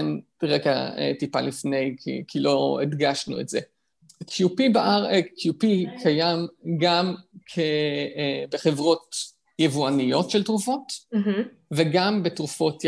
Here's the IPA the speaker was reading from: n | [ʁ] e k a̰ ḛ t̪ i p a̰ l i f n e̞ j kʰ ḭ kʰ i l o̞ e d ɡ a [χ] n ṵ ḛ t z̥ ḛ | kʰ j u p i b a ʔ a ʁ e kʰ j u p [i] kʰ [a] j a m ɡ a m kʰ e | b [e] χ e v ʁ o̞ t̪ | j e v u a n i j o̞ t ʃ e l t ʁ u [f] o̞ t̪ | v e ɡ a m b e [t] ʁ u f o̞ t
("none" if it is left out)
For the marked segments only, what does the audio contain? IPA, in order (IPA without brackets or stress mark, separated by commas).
ʁ, ʃ, i, a, e, f, t